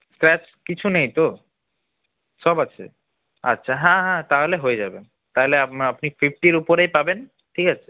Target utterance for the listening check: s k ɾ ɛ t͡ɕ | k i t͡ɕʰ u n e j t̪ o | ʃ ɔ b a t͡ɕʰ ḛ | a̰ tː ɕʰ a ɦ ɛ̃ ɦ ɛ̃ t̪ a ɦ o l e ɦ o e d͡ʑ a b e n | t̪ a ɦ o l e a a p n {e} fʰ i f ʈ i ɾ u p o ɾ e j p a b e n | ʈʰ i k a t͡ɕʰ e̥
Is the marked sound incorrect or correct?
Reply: incorrect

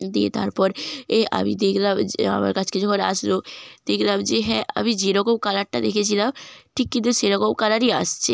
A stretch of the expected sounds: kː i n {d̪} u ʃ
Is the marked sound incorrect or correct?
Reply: incorrect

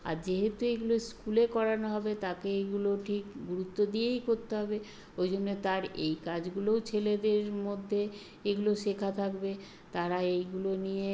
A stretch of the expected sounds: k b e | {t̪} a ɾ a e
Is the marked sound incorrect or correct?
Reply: correct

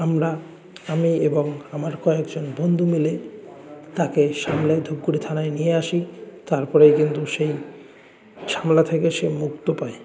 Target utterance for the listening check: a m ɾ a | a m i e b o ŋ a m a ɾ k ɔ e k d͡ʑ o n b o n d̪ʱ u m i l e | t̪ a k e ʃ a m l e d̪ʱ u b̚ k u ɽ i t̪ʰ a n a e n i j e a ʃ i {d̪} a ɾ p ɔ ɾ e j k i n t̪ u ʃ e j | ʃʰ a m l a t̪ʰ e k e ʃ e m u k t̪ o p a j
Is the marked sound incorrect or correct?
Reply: incorrect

